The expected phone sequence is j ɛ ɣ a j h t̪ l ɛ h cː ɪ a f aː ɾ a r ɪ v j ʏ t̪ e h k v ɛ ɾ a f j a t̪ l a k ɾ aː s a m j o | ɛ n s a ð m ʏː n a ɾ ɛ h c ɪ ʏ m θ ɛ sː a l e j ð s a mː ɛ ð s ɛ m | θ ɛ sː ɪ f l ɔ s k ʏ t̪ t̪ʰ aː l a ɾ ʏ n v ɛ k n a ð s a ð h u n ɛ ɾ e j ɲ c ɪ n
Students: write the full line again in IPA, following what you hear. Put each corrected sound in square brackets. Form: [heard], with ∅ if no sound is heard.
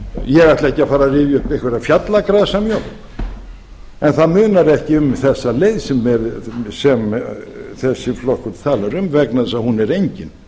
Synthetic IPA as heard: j ɛ ɣ a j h t̪ l ɛ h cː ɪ a f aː ɾ a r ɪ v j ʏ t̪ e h k v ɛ ɾ a f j a t̪ l a k ɾ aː s a m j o | ɛ n [θ] a ð m ʏː n a ɾ ɛ h c ɪ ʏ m θ ɛ sː a l e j ð s [ɛ] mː ɛ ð s ɛ m | θ ɛ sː ɪ f l ɔ [h] k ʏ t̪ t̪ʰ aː l a ɾ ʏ [m] v ɛ k n a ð s a ð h u n ɛ ɾ e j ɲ c ɪ n